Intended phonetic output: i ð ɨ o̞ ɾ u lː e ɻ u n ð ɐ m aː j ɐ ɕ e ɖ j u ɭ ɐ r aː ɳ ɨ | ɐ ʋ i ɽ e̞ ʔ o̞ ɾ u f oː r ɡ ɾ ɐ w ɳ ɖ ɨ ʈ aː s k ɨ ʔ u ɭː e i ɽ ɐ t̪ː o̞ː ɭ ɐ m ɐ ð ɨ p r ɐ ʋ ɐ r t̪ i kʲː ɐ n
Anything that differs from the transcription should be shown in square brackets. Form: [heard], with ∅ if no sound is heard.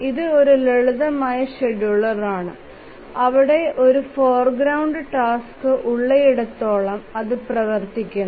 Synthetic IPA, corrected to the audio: i ð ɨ o̞ ɾ u [l] e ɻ u [∅] ð ɐ m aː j ɐ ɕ e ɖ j u ɭ ɐ r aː ɳ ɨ | ɐ ʋ i ɽ e̞ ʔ o̞ ɾ u f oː r ɡ ɾ ɐ w ɳ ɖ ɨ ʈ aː s k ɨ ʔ u ɭː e i ɽ ɐ t̪ː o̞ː ɭ ɐ m ɐ ð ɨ p r ɐ ʋ ɐ r t̪ i kʲː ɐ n